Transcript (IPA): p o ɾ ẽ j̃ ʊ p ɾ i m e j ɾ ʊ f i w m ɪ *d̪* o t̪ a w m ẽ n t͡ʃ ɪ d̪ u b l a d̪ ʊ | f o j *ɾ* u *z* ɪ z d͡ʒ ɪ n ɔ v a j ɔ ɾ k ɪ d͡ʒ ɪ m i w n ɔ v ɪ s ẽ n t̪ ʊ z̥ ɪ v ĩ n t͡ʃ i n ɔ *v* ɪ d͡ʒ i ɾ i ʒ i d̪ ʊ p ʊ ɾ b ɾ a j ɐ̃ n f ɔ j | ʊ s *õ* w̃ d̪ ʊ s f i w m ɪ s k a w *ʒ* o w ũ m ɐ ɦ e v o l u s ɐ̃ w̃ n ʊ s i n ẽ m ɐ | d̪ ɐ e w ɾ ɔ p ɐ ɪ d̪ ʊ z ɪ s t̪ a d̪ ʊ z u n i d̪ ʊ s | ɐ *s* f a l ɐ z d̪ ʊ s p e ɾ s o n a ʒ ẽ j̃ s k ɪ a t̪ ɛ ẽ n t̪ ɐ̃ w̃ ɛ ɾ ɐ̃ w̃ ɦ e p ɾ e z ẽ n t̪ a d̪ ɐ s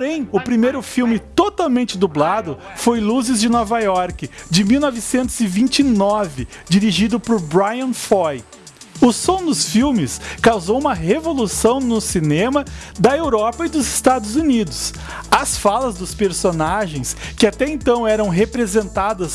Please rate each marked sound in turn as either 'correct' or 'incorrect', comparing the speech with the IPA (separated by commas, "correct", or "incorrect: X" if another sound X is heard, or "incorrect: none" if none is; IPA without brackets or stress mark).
incorrect: t̪, incorrect: l, correct, correct, correct, incorrect: z, correct